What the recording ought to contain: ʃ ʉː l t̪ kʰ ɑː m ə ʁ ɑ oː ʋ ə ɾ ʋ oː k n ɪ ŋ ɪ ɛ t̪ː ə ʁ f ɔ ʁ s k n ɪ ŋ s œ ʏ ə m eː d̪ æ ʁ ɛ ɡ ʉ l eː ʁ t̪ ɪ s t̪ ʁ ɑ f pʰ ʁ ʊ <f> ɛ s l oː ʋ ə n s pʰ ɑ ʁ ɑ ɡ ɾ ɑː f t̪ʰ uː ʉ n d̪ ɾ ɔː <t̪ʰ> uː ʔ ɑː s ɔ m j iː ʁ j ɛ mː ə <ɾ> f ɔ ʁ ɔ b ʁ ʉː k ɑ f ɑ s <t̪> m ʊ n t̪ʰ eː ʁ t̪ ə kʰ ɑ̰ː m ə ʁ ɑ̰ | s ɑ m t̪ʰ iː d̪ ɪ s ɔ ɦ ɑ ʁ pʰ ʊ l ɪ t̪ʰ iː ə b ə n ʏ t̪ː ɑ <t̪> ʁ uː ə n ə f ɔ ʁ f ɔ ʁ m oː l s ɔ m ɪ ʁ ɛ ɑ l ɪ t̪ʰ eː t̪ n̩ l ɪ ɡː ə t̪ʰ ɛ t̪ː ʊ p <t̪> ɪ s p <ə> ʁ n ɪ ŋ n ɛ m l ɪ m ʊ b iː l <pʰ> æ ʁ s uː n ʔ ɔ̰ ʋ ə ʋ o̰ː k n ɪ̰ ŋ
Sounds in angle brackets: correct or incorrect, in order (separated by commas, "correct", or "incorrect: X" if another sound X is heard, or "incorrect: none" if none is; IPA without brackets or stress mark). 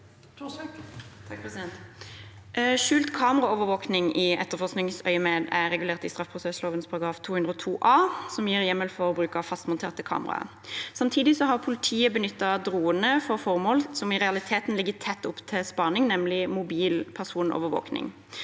incorrect: s, correct, incorrect: l, correct, incorrect: d̪, incorrect: t̪ʰ, incorrect: ɑ, correct